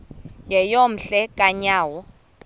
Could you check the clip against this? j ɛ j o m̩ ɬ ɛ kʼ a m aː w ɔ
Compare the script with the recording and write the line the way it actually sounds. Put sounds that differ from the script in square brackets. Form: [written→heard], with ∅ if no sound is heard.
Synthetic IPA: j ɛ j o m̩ ɬ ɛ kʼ a [m→ɲ] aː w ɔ